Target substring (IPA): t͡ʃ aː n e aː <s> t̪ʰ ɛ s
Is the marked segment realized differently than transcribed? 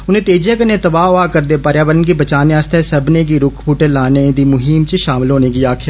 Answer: no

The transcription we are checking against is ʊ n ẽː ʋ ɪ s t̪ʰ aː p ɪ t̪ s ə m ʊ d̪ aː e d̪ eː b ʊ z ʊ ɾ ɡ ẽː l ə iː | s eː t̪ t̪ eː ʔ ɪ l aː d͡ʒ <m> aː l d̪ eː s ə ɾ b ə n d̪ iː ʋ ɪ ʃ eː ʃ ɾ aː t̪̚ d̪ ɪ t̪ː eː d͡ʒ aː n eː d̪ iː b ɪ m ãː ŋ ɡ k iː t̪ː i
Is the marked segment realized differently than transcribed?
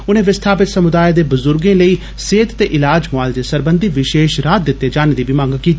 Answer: no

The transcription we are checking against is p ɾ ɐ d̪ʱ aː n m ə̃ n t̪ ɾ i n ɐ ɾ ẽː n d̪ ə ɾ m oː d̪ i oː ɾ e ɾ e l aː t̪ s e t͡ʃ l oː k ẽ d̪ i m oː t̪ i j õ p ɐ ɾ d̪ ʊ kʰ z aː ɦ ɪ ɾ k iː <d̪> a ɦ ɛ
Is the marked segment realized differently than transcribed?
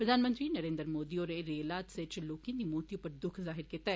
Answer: yes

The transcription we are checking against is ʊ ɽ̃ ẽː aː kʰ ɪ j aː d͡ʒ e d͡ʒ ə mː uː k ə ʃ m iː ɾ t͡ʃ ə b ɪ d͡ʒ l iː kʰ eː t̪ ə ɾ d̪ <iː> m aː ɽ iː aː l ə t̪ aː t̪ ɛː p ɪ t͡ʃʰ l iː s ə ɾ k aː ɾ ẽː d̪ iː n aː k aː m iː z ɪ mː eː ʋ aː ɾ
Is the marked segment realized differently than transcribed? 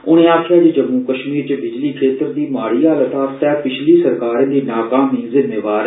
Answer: no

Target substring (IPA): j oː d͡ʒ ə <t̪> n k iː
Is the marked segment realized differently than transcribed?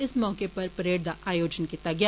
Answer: yes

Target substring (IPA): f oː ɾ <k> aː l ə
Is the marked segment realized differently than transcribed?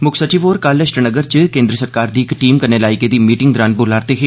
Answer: no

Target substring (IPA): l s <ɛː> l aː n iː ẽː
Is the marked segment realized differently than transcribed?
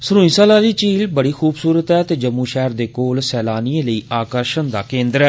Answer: no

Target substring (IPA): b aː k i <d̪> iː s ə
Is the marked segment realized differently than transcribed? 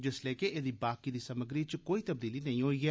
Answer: no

